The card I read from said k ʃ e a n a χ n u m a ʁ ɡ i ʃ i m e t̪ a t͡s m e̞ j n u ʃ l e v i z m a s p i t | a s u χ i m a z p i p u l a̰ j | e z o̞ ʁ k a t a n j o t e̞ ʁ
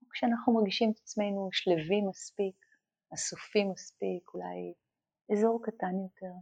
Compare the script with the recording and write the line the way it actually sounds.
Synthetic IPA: k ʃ e a n a χ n u m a ʁ ɡ i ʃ i m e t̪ a t͡s m e̞ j n u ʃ l e v i m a s p i k | a s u f i m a s p i k u l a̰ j | e z o̞ ʁ k a t a n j o t e̞ ʁ